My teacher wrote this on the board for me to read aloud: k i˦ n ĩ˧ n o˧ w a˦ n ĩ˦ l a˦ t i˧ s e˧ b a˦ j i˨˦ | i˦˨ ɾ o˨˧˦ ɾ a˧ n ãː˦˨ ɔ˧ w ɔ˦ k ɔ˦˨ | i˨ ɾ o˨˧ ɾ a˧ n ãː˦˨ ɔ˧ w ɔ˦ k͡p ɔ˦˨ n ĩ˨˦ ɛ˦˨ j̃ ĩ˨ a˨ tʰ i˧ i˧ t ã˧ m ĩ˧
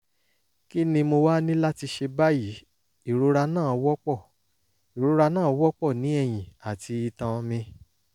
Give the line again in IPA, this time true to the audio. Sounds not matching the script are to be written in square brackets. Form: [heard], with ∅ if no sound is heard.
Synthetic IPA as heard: k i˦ n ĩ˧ [m] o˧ w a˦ n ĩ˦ l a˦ t i˧ [ʃ] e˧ b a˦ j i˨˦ | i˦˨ ɾ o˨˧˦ ɾ a˧ n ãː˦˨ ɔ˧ w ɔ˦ [k͡p] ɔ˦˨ | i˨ ɾ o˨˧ ɾ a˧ n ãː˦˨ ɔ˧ w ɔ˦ k͡p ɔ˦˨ n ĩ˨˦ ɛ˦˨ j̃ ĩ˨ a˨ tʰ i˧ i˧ t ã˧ m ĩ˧